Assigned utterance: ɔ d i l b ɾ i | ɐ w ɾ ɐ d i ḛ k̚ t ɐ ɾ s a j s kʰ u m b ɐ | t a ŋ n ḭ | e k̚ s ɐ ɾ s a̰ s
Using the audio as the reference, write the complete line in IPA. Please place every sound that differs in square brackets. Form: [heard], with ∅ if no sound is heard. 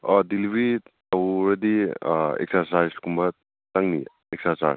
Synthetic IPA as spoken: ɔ d i l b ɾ i | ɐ w ɾ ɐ d i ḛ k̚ [s] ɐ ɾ s a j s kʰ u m b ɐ | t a ŋ n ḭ | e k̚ s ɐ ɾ s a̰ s

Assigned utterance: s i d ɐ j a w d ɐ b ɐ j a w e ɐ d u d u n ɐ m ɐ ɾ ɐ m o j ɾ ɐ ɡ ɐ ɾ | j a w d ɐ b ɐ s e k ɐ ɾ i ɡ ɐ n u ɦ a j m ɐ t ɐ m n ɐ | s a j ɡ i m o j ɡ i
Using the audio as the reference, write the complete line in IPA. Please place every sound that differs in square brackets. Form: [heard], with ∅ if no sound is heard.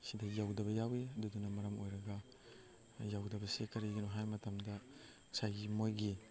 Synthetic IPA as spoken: s i d ɐ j a w d ɐ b ɐ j a w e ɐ d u d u n ɐ m ɐ ɾ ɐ m o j ɾ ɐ ɡ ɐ [∅] | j a w d ɐ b ɐ s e k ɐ ɾ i ɡ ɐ n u ɦ a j m ɐ t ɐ m [d] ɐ | s a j ɡ i m o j ɡ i

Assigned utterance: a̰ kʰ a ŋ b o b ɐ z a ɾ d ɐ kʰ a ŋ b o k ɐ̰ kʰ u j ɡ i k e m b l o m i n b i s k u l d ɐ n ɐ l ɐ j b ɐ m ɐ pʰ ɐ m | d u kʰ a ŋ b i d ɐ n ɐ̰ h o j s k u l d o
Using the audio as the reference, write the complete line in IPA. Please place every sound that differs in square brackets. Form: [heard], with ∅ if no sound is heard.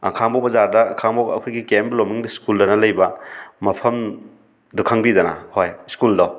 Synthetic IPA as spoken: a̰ kʰ a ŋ b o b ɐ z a ɾ d ɐ kʰ a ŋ b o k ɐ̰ kʰ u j ɡ i k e m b l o m i [ŋ] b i s k u l d ɐ n ɐ l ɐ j b ɐ m ɐ pʰ ɐ m | d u kʰ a ŋ b i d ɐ n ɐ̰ h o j s k u l d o

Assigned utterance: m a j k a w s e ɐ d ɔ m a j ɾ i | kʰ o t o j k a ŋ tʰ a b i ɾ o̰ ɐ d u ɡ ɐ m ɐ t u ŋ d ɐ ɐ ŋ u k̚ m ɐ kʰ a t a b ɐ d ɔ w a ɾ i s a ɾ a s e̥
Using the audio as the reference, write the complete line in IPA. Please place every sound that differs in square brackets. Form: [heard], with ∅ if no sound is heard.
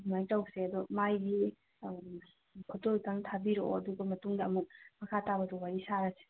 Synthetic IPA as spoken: m a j [t] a w s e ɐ d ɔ m a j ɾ i | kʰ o t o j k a ŋ tʰ a b i ɾ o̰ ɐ d u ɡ ɐ m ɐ t u ŋ d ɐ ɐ [m] u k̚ m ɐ kʰ a t a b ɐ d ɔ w a ɾ i s a ɾ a s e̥

